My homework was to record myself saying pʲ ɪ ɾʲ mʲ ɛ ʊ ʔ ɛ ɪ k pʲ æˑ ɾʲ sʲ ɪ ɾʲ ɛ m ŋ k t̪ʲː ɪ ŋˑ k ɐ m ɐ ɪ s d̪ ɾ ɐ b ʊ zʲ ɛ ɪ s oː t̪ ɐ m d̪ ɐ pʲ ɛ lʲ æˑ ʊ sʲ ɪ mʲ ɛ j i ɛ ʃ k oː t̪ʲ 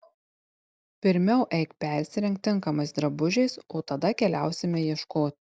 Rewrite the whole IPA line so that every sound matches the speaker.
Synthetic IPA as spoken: pʲ ɪ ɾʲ mʲ ɛ ʊ ʔ ɛ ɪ k pʲ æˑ ɾʲ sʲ ɪ ɾʲ ɛ ŋ k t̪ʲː ɪ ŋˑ k ɐ m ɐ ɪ s d̪ ɾ ɐ b ʊ ʒʲ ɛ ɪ s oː t̪ ɐ d̪ ɐ kʲ ɛ lʲ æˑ ʊ sʲ ɪ mʲ ɛ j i ɛ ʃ k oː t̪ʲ